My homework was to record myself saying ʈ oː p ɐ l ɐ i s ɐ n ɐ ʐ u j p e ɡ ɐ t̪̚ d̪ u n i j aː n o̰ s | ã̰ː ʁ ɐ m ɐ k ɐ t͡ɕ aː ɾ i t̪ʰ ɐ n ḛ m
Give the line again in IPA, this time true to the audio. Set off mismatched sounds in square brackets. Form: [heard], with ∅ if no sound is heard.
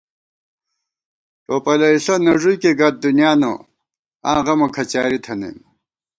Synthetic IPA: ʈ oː p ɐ l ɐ i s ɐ n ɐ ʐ u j [k] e ɡ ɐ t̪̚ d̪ u n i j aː n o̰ [∅] | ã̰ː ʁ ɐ m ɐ [kʰ] ɐ t͡ɕ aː ɾ i t̪ʰ ɐ n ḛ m